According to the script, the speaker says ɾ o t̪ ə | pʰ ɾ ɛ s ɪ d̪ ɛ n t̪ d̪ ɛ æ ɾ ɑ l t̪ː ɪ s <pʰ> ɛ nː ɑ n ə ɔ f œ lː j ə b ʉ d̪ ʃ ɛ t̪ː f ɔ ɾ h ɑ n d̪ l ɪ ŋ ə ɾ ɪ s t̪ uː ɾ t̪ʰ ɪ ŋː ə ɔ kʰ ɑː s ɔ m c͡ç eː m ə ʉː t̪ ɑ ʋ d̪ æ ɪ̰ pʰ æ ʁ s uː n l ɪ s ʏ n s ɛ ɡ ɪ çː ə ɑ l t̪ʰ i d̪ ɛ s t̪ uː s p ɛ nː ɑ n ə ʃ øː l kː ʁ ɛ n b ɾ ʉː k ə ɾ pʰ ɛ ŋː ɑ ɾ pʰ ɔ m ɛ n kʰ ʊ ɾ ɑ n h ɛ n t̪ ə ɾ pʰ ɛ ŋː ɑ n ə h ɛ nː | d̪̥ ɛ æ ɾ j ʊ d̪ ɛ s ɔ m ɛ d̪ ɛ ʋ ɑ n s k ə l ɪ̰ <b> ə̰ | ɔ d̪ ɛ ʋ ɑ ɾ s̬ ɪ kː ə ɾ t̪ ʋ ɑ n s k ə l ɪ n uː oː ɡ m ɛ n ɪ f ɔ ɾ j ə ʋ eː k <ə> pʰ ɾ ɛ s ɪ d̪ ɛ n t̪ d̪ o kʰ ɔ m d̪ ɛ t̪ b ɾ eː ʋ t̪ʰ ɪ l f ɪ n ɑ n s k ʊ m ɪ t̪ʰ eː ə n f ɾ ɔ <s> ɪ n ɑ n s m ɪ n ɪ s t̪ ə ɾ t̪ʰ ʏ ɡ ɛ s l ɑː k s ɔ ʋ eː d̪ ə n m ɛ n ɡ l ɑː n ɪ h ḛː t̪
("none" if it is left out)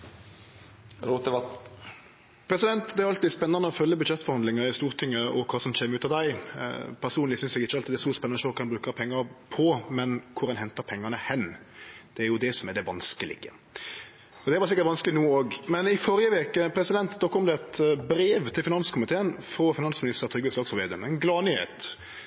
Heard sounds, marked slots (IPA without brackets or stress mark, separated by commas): p, ɡ, ə, f